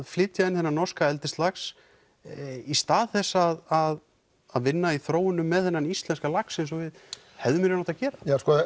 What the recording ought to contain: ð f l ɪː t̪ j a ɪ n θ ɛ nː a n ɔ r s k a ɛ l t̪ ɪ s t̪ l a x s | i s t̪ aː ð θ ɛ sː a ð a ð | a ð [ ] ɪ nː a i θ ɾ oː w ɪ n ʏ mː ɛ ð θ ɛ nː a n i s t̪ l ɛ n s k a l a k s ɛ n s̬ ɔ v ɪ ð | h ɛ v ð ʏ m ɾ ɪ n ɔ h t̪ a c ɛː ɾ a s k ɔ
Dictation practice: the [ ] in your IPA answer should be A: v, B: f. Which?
A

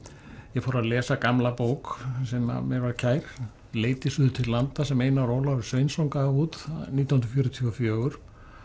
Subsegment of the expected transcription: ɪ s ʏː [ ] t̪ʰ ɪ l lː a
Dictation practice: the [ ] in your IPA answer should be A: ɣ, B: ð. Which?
B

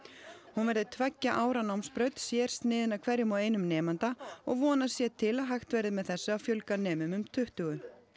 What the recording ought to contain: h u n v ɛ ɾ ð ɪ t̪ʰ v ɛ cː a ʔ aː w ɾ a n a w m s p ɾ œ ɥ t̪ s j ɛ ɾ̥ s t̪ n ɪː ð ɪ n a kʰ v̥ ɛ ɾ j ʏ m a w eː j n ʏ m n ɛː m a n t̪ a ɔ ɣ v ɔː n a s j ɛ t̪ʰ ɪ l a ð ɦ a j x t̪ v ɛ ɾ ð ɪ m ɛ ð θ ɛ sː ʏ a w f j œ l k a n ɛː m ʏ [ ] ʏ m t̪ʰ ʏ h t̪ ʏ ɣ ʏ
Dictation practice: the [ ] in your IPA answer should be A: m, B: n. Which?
A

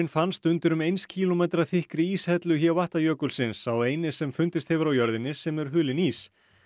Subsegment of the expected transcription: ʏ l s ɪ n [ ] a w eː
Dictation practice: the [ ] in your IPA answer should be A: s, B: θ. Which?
A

